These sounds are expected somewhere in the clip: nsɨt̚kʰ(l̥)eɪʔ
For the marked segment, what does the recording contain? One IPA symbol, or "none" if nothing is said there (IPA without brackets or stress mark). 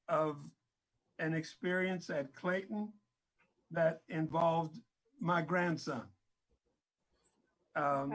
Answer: l̥